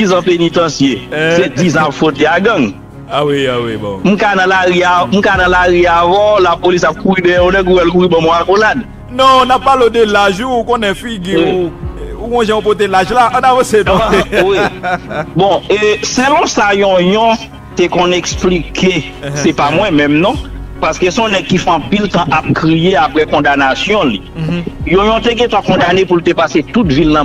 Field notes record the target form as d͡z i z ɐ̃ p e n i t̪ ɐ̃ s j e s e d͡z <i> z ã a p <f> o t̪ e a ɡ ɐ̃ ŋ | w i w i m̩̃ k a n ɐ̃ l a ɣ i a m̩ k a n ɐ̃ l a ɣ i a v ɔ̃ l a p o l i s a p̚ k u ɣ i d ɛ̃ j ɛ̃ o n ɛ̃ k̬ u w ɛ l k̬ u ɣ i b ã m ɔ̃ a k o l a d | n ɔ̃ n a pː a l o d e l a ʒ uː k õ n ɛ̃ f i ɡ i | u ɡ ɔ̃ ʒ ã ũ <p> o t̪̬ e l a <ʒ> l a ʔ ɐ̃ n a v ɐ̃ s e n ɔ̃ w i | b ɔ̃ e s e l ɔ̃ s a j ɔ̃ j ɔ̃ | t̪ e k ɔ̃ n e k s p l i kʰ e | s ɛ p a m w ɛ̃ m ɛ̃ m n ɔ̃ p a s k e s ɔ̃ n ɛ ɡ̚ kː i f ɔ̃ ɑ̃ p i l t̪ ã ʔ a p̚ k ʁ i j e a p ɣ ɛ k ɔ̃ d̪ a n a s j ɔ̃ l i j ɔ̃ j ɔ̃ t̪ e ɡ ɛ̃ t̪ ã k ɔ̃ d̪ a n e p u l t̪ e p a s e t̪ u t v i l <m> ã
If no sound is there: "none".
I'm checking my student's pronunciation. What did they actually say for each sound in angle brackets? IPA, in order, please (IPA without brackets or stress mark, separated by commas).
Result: i, f, p, ʒ, n